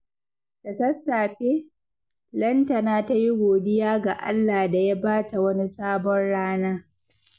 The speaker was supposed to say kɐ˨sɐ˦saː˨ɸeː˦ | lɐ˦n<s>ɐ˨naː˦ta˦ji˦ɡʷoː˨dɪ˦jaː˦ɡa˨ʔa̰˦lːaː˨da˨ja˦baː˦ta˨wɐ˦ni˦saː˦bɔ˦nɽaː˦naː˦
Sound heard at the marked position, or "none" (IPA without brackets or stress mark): t